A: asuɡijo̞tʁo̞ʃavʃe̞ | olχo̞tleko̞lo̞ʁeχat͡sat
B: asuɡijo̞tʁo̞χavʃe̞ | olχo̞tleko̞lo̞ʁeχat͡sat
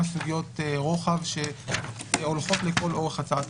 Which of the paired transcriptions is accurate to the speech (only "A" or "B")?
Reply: B